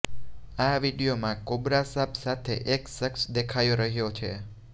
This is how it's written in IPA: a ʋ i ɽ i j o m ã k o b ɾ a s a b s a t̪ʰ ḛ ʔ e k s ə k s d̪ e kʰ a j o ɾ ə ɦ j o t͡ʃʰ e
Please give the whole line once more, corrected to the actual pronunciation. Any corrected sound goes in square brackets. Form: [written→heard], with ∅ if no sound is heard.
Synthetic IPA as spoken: a ʋ i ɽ i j o m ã k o b ɾ a s a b s a t̪ʰ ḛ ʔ e k s ə k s d̪ e kʰ a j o ɾ ə ɦ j o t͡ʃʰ e